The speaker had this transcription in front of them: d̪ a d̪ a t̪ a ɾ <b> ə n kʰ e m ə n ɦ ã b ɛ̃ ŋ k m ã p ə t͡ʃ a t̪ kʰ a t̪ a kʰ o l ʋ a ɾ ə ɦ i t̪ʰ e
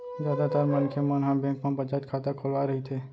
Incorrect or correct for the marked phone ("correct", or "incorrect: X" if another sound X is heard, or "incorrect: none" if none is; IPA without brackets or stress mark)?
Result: incorrect: m